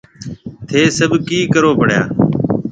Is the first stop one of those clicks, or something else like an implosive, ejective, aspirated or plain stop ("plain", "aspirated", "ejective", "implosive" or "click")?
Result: aspirated